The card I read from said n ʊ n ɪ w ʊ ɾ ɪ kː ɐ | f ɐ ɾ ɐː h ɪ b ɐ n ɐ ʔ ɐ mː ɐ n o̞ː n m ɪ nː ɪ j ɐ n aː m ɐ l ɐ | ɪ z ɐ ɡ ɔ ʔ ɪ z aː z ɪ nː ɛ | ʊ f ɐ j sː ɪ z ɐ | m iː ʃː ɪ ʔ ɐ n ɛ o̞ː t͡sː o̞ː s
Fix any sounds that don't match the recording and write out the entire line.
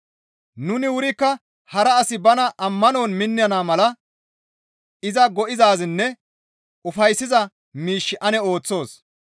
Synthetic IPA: n ʊ n ɪ w ʊ ɾ ɪ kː ɐ | h ɐ ɾ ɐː s ɪ b ɐ n ɐ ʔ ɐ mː ɐ n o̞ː n m ɪ nː ɪ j ɐ n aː m ɐ l ɐ | ɪ z ɐ ɡ ɔ ʔ ɪ z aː z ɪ nː ɛ | ʊ f ɐ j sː ɪ z ɐ | m iː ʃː ɪ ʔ ɐ n ɛ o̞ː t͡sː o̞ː s